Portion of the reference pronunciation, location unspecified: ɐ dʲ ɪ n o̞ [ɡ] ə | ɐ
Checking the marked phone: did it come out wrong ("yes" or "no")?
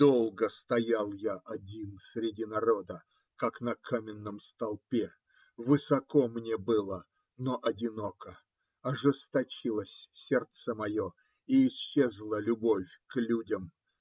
yes